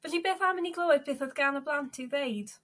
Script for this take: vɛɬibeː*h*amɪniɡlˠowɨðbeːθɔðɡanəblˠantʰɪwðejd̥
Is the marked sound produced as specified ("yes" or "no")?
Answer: no